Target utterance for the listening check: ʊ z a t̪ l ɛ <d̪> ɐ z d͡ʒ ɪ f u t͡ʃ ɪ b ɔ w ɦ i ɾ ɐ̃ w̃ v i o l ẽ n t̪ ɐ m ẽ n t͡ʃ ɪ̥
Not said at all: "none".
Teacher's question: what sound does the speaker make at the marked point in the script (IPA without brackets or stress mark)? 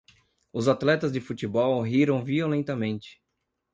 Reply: t̪